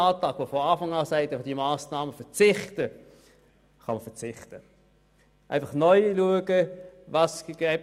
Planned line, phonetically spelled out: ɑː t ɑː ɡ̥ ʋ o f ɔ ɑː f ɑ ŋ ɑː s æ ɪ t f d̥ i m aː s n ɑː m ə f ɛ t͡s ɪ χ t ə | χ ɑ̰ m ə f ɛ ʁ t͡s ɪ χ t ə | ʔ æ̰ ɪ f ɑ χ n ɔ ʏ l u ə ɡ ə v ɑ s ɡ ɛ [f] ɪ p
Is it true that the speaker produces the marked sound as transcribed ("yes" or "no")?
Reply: no